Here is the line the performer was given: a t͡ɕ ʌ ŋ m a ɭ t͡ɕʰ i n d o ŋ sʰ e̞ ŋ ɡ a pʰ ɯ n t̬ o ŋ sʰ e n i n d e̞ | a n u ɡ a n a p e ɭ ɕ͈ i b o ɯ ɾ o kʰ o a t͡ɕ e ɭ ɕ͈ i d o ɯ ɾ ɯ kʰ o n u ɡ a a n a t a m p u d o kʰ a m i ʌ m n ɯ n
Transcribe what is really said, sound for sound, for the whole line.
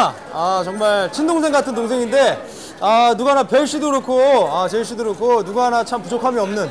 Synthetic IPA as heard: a t͡ɕ ʌ ŋ m a ɭ t͡ɕʰ i n d o ŋ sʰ e̞ ŋ ɡ a tʰ ɯ n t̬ o ŋ sʰ e ŋ i n d e̞ | a n u ɡ a n a p e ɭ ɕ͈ i d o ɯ ɾ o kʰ o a t͡ɕ e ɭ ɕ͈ i d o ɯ ɾ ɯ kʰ o n u ɡ a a n a t͡ɕʰ a m p u d͡ʑ o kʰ a m i ʌ m n ɯ n